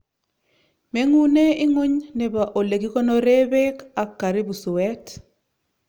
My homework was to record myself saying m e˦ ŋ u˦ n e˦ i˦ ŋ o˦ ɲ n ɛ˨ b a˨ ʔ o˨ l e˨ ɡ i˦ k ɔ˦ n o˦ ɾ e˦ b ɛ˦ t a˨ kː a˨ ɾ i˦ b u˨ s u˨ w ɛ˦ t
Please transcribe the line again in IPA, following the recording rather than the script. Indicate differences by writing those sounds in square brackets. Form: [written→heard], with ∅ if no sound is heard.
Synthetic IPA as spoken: m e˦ ŋ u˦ n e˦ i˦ ŋ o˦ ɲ n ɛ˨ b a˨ ʔ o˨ l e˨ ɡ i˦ k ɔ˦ n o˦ ɾ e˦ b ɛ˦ [t→k] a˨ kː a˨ ɾ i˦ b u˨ s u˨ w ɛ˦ t